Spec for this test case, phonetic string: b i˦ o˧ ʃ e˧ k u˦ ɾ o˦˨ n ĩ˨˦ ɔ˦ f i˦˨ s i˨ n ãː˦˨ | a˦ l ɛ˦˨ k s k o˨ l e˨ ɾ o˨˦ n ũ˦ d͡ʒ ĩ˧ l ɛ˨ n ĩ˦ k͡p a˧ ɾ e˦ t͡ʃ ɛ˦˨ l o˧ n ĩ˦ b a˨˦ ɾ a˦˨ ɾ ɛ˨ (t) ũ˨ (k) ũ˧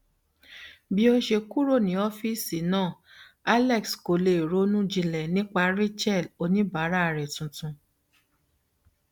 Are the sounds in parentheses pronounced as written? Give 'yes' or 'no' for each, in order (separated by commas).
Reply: yes, no